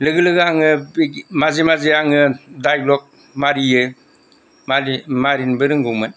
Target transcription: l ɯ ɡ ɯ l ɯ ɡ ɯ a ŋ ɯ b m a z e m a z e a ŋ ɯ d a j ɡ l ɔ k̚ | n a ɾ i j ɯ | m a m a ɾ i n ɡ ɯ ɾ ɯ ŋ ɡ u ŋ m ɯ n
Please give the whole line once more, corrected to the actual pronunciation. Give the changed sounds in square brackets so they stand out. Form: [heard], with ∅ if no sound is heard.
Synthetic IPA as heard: l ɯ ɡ ɯ l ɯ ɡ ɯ a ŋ ɯ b m a z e m a z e a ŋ ɯ d a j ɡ l ɔ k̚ | [m] a ɾ i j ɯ | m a m a ɾ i n [b] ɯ ɾ ɯ ŋ ɡ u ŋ m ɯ n